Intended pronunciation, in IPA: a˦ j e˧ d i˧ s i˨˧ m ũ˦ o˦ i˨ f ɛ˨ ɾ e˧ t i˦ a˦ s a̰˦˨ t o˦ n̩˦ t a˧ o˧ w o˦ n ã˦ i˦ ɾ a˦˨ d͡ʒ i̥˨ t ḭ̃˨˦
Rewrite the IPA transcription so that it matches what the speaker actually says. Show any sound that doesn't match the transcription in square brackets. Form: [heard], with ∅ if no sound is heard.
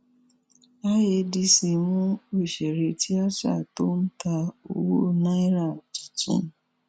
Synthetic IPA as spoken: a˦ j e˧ d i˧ s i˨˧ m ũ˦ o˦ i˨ [ʃ] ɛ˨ ɾ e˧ t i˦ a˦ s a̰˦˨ t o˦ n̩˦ t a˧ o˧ w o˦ n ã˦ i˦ ɾ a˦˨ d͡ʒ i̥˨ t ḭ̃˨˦